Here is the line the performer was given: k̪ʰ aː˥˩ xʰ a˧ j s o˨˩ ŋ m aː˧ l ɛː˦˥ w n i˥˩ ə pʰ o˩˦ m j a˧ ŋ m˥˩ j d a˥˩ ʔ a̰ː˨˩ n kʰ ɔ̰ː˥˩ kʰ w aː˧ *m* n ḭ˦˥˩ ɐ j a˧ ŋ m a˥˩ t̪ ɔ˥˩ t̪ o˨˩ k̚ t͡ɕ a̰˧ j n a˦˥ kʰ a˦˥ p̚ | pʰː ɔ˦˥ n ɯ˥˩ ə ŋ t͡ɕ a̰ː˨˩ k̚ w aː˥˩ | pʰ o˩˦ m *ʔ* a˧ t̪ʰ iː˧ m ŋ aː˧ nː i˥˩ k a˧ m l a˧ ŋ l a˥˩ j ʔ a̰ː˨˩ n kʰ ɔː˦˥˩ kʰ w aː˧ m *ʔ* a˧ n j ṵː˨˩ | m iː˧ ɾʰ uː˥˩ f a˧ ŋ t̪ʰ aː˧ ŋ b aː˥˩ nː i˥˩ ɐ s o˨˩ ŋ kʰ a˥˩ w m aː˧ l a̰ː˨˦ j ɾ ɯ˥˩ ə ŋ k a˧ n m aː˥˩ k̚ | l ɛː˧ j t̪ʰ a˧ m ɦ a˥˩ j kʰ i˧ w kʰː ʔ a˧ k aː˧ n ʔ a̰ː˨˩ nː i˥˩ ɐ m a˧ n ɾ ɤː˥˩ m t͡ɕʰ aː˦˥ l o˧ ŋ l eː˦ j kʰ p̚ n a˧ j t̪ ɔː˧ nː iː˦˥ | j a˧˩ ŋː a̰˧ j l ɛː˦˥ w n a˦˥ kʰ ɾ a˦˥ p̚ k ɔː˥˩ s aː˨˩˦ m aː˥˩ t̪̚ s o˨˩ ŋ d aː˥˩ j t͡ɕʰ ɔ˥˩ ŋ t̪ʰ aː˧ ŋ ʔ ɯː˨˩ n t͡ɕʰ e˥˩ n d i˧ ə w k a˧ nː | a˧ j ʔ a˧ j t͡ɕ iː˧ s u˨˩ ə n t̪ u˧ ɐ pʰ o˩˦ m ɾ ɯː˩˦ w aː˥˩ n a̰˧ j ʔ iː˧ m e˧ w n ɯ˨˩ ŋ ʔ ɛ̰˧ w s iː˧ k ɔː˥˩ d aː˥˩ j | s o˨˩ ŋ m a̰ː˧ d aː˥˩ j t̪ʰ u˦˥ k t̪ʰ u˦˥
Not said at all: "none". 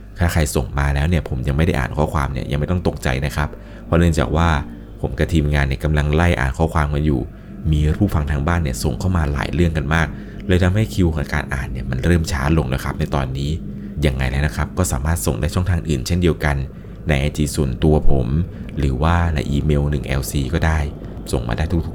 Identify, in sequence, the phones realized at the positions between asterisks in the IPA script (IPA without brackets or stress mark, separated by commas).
m, k, k